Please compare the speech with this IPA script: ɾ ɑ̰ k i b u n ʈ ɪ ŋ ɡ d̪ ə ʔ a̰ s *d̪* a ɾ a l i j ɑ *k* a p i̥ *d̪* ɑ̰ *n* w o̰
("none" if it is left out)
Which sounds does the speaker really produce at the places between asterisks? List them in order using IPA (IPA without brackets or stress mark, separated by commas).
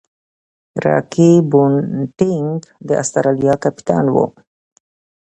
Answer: t̪, k, t̪, n